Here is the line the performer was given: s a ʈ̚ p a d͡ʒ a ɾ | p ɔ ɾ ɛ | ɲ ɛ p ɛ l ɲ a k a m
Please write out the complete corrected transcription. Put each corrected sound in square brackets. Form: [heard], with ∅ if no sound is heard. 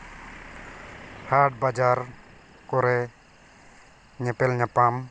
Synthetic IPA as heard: [h] a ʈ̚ [b] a d͡ʒ a ɾ | [k] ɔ ɾ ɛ | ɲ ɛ p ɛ l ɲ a [p] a m